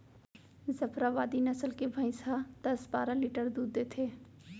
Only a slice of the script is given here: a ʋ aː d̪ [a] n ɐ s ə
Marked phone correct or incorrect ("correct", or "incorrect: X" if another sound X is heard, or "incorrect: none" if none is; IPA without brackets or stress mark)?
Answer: incorrect: i